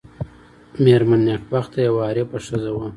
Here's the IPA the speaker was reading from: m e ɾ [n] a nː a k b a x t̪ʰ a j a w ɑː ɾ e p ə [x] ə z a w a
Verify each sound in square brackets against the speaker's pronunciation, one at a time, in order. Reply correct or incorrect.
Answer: incorrect: m, incorrect: ʂ

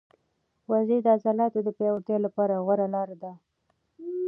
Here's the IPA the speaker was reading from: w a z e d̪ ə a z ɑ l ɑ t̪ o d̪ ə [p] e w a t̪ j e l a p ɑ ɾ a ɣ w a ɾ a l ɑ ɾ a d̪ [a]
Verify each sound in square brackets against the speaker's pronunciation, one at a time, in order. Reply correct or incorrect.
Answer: correct, correct

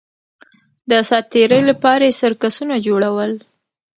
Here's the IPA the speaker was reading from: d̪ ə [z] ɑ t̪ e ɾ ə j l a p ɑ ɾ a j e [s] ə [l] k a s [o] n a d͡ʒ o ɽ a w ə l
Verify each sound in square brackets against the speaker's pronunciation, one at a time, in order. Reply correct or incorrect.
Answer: incorrect: s, correct, incorrect: ɾ, incorrect: u

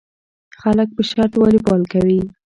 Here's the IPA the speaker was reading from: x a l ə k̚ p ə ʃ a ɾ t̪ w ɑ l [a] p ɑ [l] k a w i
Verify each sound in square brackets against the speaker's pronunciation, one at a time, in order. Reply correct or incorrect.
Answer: incorrect: i, correct

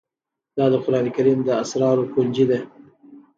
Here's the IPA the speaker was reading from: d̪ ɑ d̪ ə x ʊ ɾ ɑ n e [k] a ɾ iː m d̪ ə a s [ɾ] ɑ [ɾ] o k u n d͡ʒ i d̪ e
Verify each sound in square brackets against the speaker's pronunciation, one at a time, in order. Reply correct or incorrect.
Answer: correct, correct, correct

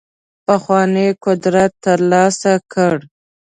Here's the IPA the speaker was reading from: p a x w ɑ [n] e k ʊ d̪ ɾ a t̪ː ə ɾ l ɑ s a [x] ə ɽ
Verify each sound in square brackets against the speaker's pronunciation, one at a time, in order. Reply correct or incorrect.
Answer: correct, incorrect: k

